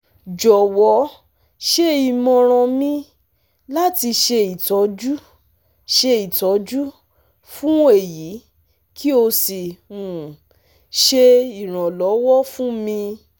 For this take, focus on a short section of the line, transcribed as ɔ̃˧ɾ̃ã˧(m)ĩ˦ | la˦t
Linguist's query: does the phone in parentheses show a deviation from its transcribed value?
no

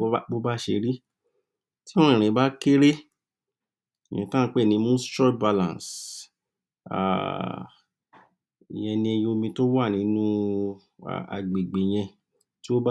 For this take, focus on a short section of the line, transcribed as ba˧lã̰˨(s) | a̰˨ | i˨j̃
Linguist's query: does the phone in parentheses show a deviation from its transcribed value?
no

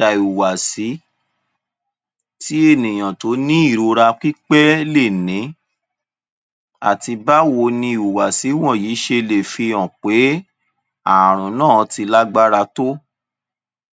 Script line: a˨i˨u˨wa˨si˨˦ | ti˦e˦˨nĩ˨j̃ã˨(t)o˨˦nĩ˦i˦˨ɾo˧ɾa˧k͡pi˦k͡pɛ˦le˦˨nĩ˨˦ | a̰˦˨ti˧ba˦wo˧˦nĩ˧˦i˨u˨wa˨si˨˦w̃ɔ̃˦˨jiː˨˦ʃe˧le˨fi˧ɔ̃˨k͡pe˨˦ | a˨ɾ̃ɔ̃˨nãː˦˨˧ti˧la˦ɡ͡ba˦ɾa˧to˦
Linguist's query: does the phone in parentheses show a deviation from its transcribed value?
no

